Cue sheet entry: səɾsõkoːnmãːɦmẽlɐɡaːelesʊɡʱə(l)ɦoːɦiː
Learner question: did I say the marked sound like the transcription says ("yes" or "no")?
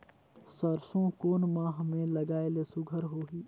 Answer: no